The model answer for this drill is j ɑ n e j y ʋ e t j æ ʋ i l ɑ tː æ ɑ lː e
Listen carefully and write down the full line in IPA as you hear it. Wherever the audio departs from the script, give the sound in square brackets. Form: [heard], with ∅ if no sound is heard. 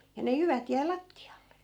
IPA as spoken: j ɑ n e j y ʋ [æ] t j æ [∅] i l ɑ tː [i] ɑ lː e